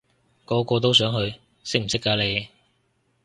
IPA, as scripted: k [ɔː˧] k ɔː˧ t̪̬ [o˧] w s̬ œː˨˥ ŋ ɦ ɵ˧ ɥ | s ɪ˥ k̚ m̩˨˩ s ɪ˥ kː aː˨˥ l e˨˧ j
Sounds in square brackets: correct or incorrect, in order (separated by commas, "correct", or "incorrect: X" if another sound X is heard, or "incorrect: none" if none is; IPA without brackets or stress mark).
incorrect: ɔː˨˥, incorrect: o˥